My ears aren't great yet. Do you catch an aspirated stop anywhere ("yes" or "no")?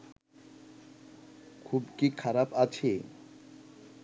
yes